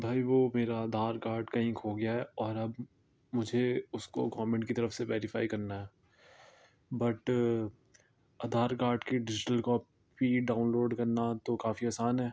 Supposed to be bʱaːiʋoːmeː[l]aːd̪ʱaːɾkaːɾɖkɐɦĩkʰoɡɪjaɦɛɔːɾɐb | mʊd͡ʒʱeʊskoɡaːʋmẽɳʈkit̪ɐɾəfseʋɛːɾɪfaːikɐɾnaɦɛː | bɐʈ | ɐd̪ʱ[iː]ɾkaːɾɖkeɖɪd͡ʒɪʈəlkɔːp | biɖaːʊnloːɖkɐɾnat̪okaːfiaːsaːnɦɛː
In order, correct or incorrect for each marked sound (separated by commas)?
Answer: incorrect, incorrect